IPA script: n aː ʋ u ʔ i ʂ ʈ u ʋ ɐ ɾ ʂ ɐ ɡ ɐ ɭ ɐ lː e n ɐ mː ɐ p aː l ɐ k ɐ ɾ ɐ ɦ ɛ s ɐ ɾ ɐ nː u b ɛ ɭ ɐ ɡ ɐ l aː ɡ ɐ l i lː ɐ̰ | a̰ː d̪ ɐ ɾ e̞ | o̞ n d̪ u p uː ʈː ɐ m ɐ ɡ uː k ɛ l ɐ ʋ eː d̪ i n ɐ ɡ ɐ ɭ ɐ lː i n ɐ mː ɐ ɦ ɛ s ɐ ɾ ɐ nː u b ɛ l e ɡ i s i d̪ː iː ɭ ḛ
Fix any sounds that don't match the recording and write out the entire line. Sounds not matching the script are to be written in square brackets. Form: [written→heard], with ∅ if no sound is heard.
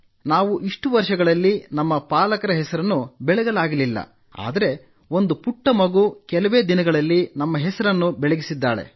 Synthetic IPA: n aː ʋ u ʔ i ʂ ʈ u ʋ ɐ ɾ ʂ ɐ ɡ ɐ ɭ ɐ lː [e→i] n ɐ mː ɐ p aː l ɐ k ɐ ɾ ɐ ɦ ɛ s ɐ ɾ ɐ nː u b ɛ ɭ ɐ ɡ ɐ l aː ɡ ɐ l i lː ɐ̰ | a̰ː d̪ ɐ ɾ e̞ | o̞ n d̪ u p [uː→u] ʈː ɐ m ɐ ɡ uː k ɛ l ɐ ʋ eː d̪ i n ɐ ɡ ɐ ɭ ɐ lː i n ɐ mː ɐ ɦ ɛ s ɐ ɾ ɐ nː u b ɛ [l→ɭ] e ɡ i s i d̪ː [iː→aː] ɭ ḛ

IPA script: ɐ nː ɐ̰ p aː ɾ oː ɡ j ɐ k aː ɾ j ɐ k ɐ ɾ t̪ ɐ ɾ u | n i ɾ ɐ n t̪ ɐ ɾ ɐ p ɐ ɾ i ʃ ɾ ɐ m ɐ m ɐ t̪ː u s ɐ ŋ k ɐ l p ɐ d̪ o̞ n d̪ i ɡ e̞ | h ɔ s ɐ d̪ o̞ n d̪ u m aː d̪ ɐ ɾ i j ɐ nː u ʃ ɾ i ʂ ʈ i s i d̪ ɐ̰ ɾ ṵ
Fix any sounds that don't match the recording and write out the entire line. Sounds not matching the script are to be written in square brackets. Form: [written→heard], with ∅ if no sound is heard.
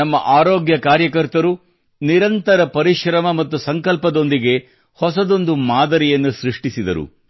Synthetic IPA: ɐ [nː→mː] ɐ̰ [p→ʔ] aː ɾ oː ɡ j ɐ k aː ɾ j ɐ k ɐ ɾ t̪ ɐ ɾ u | n i ɾ ɐ n t̪ ɐ ɾ ɐ p ɐ ɾ i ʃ ɾ ɐ m ɐ m ɐ t̪ː u s ɐ ŋ k ɐ l p ɐ d̪ o̞ n d̪ i ɡ e̞ | h ɔ s ɐ d̪ o̞ n d̪ u m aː d̪ ɐ ɾ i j ɐ nː u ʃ ɾ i ʂ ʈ i s i d̪ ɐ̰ ɾ ṵ

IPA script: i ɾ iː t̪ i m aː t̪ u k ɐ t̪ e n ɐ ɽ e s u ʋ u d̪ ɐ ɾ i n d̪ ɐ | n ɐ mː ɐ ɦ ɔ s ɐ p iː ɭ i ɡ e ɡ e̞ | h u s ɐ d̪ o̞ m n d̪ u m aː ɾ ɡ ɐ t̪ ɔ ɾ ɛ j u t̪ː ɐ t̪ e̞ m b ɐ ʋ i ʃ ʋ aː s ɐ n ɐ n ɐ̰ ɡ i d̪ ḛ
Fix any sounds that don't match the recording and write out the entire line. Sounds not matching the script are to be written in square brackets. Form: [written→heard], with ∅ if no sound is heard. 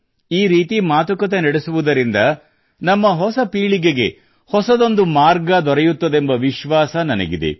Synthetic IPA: [i→iː] ɾ iː t̪ i m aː t̪ u k ɐ t̪ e n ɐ ɽ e s u ʋ u d̪ ɐ ɾ i n d̪ ɐ | n ɐ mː ɐ ɦ ɔ s ɐ p iː ɭ i ɡ e ɡ e̞ | h [u→ɔ] s ɐ d̪ o̞ [m→∅] n d̪ u m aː ɾ ɡ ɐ [t̪→d̪] ɔ ɾ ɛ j u t̪ː ɐ [t̪→d̪] e̞ m b ɐ ʋ i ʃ ʋ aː s ɐ n ɐ n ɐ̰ ɡ i d̪ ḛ

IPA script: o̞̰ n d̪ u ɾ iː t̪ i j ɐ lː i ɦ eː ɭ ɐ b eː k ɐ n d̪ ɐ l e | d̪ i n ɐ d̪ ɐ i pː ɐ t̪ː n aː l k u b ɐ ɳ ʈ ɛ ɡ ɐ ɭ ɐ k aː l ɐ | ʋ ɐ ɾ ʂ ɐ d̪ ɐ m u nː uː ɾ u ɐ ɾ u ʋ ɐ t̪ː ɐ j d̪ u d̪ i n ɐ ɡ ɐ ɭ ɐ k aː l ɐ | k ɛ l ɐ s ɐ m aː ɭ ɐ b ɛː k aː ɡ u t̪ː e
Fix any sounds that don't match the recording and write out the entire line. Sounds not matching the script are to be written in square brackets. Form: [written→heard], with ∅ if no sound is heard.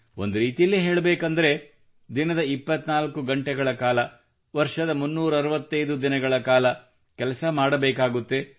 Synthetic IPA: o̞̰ n d̪ u ɾ iː t̪ i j ɐ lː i ɦ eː ɭ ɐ b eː k ɐ n d̪ ɐ [l→ɾ] e | d̪ i n ɐ d̪ ɐ i pː ɐ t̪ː n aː l k u [b→ɡ] ɐ ɳ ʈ ɛ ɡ ɐ ɭ ɐ k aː l ɐ | ʋ ɐ ɾ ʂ ɐ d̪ ɐ m u nː uː ɾ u ɐ ɾ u ʋ ɐ t̪ː ɐ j d̪ u d̪ i n ɐ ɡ ɐ ɭ ɐ k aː l ɐ | k ɛ l ɐ s ɐ m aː [ɭ→ɽ] ɐ b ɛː k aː ɡ u t̪ː e

